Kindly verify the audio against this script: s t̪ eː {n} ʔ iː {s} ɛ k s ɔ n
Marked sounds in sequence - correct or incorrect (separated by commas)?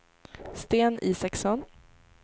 correct, correct